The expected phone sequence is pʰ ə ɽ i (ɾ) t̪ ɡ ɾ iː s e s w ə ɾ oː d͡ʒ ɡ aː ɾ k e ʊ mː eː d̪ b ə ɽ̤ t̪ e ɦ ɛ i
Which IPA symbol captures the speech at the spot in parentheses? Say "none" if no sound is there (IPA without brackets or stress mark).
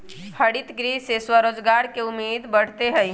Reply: none